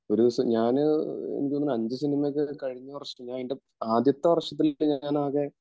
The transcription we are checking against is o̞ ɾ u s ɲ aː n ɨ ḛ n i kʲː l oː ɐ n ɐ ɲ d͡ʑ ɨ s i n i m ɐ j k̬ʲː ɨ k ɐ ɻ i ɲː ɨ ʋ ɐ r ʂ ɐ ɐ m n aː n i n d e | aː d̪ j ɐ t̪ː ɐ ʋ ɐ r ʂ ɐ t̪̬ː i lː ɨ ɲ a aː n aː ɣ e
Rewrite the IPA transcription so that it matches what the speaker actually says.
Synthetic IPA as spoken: o̞ ɾ u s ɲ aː n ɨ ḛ n i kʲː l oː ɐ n ɐ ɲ d͡ʑ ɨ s i n i m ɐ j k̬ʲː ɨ k ɐ ɻ i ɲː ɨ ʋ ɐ r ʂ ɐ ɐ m ɲ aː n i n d e | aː d̪ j ɐ t̪ː ɐ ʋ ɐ r ʂ ɐ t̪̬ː i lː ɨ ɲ a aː n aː ɣ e